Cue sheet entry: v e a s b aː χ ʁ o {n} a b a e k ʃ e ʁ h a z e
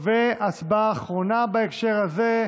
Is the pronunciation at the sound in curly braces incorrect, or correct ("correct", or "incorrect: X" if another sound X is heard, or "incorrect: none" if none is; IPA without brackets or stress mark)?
correct